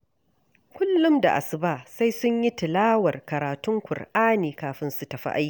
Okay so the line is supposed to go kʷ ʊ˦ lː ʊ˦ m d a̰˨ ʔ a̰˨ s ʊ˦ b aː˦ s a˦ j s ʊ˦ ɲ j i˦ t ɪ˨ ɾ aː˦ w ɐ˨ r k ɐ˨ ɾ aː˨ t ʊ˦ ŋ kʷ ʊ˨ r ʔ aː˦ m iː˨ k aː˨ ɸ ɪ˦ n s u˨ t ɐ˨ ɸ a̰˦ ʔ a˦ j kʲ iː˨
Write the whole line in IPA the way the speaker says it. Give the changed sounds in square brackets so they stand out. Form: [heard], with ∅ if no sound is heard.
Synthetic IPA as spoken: kʷ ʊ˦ lː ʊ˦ m d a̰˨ ʔ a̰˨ s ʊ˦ b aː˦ s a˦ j s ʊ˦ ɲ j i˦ t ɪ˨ [l] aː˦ w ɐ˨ r k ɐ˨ ɾ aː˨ t ʊ˦ ŋ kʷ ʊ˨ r ʔ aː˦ [n] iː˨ k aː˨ ɸ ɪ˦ n s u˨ t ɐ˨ ɸ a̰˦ ʔ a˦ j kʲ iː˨